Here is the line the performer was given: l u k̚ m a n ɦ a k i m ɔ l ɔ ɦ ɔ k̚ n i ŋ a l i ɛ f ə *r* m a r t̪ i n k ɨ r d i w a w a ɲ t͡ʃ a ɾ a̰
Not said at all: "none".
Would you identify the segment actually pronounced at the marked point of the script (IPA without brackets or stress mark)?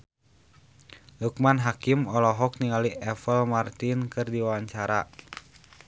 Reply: l